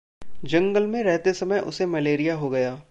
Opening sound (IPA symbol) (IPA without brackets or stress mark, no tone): d͡ʒ